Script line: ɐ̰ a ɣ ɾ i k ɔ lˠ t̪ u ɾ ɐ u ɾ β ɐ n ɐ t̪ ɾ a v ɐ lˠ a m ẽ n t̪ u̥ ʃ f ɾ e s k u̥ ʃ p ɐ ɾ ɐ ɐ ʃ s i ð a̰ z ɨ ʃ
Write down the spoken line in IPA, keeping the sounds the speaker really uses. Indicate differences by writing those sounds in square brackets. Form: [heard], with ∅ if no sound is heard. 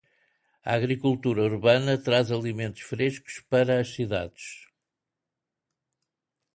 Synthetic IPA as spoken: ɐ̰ a ɣ ɾ i k [u] lˠ t̪ u ɾ ɐ u ɾ β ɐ n ɐ t̪ ɾ a [z] ɐ lˠ [i] m ẽ n t̪ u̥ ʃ f ɾ e [ʃ] k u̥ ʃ p ɐ ɾ ɐ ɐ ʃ s i ð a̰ [ð] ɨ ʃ